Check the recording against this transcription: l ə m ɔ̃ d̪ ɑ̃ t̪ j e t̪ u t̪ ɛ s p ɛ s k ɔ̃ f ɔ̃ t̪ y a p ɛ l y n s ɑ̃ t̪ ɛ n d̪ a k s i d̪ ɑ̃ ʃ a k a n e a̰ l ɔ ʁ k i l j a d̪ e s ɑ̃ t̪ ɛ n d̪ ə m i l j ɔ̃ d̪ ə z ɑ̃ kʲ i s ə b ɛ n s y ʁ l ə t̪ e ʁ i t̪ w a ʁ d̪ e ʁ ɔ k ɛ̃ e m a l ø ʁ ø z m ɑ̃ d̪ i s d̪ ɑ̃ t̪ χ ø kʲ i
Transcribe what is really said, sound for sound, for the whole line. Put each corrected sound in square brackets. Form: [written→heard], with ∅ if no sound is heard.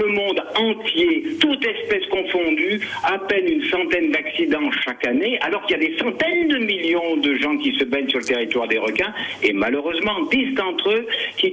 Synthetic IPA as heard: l ə m ɔ̃ d̪ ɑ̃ t̪ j e t̪ u t̪ ɛ s p ɛ s k ɔ̃ f ɔ̃ [t̪→d̪] y a p ɛ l y n s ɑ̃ t̪ ɛ n d̪ a k s i d̪ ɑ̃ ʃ a k a n e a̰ l ɔ ʁ k i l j a d̪ e s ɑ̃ t̪ ɛ n d̪ ə m i l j ɔ̃ d̪ ə [z→ʒ] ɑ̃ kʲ i s ə b ɛ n s y ʁ l ə t̪ e ʁ i t̪ w a ʁ d̪ e ʁ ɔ k ɛ̃ e m a l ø ʁ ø z m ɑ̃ d̪ i s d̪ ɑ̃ t̪ χ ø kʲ i